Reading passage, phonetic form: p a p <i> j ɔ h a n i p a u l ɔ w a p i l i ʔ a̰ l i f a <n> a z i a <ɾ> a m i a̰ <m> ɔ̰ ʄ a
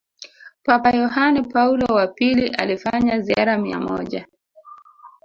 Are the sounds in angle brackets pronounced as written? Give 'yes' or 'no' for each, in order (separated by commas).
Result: no, no, yes, yes